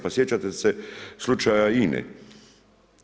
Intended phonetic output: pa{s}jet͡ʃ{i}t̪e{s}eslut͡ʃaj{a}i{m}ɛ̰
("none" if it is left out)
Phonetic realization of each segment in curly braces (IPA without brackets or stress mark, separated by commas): s, a, s, a, n